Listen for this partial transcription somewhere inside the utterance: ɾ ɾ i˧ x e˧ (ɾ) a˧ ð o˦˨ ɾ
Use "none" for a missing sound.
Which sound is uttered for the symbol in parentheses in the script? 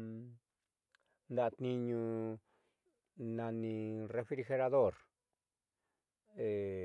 ɾ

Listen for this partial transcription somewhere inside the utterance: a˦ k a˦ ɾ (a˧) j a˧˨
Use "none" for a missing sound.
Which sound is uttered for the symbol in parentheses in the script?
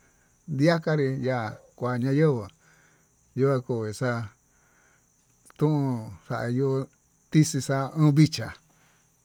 i˧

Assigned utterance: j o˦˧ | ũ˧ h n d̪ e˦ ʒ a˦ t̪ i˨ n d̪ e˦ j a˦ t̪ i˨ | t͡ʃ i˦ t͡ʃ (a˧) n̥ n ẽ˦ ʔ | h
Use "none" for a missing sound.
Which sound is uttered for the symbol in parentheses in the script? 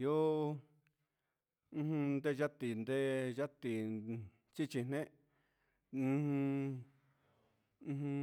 i˧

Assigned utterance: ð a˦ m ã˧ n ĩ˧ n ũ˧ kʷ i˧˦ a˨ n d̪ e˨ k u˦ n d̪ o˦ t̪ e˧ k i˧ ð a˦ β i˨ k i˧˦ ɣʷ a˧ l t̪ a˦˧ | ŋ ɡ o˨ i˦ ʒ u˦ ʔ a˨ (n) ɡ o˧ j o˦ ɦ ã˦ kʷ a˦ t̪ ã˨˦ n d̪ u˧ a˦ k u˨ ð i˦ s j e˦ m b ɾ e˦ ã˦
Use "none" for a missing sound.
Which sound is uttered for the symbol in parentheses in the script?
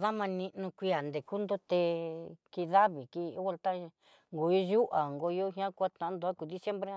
ŋ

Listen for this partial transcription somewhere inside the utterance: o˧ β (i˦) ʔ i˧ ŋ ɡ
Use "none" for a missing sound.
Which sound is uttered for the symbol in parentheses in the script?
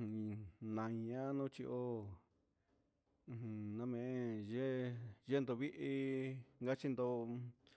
i˦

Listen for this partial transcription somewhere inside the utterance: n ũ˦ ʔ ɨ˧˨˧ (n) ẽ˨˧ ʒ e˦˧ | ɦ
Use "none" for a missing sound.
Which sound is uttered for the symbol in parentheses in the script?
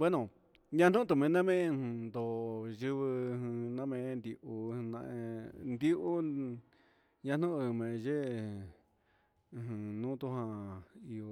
m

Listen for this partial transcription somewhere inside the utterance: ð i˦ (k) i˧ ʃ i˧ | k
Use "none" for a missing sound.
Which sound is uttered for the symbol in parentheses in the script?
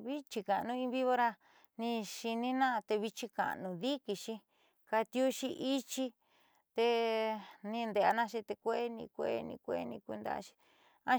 k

